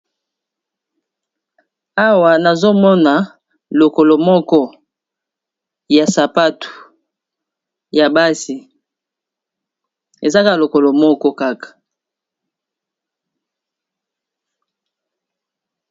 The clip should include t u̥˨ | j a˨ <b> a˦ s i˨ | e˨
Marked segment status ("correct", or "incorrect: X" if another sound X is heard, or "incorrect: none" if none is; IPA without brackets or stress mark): correct